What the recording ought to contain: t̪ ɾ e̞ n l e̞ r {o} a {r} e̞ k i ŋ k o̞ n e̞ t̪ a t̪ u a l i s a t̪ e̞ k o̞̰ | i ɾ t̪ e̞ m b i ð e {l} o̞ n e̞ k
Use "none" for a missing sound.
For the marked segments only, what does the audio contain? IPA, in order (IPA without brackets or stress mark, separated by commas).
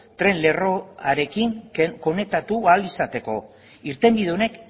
o, ɾ, none